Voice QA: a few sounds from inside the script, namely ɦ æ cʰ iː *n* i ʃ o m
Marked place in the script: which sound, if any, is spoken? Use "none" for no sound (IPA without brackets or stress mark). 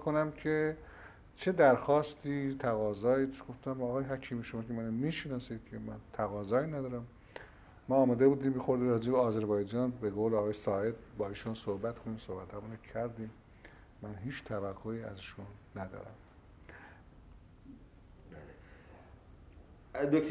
m